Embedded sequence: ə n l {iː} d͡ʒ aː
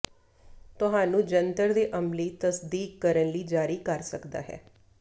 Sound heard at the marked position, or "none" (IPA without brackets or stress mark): iː